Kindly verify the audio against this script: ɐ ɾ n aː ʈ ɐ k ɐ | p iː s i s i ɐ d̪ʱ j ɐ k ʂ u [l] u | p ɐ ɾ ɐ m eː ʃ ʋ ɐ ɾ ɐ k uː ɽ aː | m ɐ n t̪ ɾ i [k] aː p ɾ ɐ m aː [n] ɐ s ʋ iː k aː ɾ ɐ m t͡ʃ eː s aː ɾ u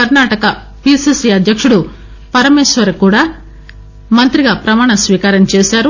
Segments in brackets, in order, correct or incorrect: incorrect: ɽ, incorrect: ɡ, incorrect: ɳ

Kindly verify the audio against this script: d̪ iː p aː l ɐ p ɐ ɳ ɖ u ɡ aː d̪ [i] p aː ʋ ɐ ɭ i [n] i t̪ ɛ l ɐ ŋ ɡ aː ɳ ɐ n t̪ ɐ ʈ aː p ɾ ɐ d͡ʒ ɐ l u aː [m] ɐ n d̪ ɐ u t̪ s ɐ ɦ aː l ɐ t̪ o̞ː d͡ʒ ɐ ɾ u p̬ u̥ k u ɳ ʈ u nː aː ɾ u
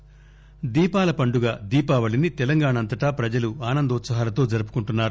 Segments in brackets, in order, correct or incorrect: incorrect: iː, correct, incorrect: n

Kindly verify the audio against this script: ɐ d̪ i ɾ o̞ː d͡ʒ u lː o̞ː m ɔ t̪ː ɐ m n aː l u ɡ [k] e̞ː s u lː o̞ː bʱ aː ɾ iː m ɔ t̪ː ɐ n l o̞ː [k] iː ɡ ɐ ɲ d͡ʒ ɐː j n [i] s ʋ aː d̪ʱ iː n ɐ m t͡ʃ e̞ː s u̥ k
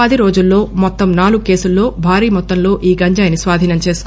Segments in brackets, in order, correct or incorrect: correct, incorrect: ʔ, correct

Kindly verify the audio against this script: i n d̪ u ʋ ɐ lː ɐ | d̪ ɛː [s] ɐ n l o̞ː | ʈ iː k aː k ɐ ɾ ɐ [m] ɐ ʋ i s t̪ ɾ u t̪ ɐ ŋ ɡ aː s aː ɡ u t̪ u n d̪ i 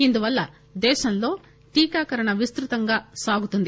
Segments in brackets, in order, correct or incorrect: incorrect: ʃ, incorrect: ɳ

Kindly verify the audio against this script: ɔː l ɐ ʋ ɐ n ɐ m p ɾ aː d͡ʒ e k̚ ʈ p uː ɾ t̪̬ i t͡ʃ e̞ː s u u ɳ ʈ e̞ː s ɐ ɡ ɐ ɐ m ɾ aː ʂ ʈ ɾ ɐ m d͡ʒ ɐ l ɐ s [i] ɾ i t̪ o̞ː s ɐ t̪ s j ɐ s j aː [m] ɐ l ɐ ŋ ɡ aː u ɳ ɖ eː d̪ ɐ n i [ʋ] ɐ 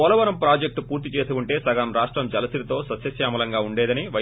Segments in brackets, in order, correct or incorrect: correct, correct, correct

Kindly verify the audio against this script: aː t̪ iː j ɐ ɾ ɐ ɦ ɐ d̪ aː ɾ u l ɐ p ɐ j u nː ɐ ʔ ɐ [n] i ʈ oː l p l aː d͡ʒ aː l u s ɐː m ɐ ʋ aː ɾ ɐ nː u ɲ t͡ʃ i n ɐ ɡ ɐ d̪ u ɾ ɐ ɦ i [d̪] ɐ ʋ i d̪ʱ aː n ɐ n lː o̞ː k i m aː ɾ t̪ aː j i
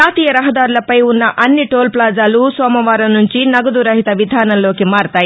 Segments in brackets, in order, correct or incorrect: incorrect: nː, incorrect: t̪

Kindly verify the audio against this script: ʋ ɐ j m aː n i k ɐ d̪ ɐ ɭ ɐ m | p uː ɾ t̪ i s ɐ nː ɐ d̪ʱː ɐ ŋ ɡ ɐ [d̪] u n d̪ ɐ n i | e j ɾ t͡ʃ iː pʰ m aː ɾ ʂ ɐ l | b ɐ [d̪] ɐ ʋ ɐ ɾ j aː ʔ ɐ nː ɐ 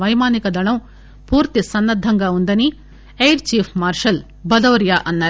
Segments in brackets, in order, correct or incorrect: incorrect: none, correct

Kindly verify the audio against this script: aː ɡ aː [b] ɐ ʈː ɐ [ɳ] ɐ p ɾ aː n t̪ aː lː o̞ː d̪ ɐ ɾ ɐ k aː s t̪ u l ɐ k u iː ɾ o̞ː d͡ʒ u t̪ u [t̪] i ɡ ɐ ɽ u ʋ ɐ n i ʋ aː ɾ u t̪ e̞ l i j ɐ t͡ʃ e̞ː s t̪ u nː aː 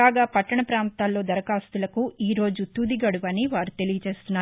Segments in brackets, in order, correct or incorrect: incorrect: p, correct, incorrect: d̪

